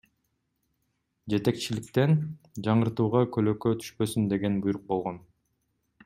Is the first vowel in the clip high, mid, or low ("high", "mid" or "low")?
mid